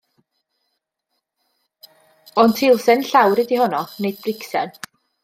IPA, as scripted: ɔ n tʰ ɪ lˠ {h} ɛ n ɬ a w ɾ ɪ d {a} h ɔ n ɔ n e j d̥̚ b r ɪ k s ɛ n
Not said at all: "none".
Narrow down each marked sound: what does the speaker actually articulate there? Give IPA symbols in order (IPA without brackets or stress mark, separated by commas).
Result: s, i